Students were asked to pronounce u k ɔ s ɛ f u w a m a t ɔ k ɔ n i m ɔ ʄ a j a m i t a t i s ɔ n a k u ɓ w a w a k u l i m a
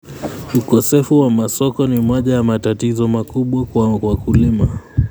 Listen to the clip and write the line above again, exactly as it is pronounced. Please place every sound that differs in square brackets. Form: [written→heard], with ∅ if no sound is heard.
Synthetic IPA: u k ɔ s ɛ f u w a m a [t→s] ɔ k ɔ n i m ɔ ʄ a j a m [i→a] t a t i [s→z] ɔ [n→m] a k u ɓ w a w a k u l i m a